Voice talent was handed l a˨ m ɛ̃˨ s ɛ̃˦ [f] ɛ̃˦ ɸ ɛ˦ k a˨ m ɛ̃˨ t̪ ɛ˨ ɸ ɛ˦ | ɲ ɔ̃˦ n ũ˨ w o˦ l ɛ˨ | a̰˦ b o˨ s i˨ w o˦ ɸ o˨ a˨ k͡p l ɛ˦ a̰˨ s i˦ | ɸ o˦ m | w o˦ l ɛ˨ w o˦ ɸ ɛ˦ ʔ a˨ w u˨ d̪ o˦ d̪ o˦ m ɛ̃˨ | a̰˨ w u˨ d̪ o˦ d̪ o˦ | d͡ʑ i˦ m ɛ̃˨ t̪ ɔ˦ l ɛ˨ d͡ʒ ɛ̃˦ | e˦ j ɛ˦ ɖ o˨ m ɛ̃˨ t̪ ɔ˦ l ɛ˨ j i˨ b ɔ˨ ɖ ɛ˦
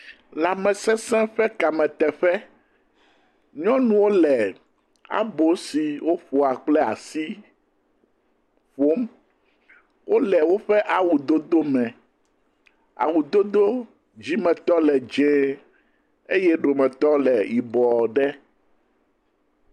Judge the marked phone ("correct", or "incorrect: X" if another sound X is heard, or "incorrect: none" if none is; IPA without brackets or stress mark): incorrect: s